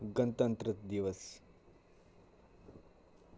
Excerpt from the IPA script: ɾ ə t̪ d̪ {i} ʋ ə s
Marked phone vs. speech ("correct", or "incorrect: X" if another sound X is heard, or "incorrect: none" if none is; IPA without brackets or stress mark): correct